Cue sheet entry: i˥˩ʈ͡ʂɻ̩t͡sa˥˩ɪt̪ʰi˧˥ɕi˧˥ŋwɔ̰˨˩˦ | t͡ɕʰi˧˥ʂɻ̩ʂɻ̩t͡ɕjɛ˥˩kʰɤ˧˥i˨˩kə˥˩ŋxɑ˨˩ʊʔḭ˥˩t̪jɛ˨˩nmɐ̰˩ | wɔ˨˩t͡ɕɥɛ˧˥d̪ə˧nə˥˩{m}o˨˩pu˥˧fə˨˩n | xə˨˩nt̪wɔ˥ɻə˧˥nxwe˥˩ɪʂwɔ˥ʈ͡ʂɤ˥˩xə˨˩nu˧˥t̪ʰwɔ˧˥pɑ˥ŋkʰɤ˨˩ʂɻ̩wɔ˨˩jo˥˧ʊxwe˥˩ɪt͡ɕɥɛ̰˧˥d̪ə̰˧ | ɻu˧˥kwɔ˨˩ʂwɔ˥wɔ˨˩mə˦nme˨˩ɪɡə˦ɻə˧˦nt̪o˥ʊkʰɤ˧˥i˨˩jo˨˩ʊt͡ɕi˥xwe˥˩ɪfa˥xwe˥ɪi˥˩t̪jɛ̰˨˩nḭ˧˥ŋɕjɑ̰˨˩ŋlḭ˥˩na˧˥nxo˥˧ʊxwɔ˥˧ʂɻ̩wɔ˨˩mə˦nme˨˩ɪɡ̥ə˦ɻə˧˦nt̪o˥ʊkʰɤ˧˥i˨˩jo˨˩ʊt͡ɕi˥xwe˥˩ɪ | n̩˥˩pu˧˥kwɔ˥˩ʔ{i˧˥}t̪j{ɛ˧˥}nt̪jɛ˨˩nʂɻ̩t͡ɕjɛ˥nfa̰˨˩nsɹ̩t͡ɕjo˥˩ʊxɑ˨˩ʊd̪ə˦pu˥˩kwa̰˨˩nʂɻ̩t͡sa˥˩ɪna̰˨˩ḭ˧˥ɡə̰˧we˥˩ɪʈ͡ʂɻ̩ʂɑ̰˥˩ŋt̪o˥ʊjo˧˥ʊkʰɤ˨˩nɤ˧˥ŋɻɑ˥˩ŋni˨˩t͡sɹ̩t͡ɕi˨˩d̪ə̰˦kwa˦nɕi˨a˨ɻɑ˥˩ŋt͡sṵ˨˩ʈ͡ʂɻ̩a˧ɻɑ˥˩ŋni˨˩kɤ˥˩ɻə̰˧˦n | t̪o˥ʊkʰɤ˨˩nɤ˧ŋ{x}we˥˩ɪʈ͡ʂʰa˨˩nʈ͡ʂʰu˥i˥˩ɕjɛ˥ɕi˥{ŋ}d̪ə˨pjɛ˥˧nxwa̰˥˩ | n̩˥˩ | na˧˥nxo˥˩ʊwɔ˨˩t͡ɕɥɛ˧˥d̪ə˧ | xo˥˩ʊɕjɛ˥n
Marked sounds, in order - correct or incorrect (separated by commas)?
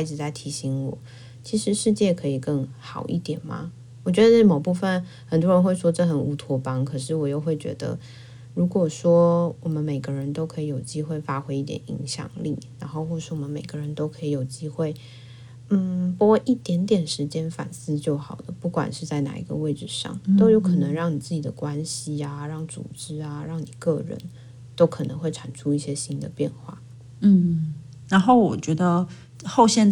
correct, incorrect, correct, correct, incorrect